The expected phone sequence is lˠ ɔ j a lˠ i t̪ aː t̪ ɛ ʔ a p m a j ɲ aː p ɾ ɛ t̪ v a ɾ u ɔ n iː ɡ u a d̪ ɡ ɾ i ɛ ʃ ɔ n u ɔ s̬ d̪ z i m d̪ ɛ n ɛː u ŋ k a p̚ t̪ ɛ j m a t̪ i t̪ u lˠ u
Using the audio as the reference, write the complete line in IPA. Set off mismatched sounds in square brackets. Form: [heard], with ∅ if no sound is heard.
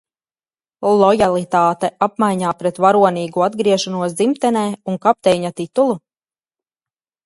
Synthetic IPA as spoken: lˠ ɔ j a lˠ i t̪ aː t̪ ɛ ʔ a p m a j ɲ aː p ɾ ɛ t̪ v a ɾ u ɔ n iː ɡ u a d̪ ɡ ɾ i ɛ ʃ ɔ n u ɔ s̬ d̪ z i m [t̪] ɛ n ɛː u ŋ k a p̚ t̪ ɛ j [ɲ] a t̪ i t̪ u lˠ u